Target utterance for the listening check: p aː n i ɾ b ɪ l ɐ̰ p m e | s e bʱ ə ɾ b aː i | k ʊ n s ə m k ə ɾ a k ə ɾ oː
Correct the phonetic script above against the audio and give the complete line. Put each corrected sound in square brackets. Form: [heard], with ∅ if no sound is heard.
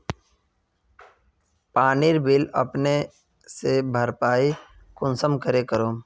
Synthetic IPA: p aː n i ɾ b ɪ l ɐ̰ p [n] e | s e bʱ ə ɾ [p] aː i | k ʊ n s ə m k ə ɾ [e] k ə ɾ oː